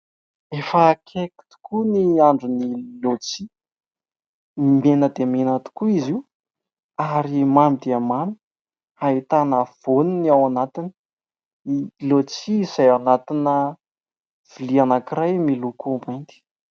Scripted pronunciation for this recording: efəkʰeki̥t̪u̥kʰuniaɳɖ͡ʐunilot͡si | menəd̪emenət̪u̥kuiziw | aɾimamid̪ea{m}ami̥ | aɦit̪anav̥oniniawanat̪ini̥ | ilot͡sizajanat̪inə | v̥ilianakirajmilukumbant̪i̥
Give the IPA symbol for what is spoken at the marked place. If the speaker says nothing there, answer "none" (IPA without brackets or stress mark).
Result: m